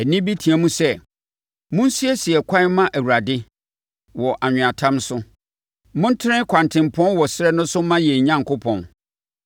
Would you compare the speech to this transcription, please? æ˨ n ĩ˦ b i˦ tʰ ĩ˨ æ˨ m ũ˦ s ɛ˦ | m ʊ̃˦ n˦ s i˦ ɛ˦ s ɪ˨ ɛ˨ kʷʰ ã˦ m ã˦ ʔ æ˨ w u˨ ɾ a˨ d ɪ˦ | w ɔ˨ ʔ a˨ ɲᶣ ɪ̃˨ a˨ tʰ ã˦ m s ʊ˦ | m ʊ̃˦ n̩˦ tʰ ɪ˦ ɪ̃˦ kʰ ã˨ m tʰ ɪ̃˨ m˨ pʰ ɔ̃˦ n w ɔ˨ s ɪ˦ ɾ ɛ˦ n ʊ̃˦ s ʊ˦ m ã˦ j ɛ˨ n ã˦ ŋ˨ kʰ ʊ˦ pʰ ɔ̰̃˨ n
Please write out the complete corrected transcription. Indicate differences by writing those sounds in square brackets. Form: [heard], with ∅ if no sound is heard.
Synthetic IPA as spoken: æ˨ n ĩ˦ b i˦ tʰ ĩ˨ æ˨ m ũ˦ s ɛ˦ | m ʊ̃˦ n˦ s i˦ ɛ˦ s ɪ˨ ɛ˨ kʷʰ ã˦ m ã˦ ʔ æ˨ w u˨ ɾ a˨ d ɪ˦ | w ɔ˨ ʔ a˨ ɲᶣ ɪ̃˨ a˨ tʰ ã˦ m s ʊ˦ | m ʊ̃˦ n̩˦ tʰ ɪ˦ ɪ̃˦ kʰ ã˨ [n] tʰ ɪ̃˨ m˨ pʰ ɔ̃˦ n w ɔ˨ s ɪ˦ ɾ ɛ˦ n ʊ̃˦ s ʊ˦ m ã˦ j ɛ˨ [ɲ] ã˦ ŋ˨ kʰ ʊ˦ pʰ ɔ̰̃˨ n